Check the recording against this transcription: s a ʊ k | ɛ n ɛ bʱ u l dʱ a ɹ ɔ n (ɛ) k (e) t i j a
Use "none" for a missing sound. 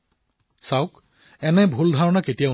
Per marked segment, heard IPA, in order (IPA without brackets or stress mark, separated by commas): a, e